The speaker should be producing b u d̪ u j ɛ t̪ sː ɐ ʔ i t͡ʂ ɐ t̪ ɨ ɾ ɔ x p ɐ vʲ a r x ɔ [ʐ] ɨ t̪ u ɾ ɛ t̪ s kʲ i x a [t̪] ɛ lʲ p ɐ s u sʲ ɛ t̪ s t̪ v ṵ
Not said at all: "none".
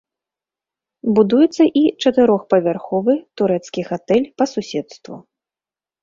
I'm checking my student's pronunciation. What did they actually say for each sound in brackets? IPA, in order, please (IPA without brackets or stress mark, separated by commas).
v, t̪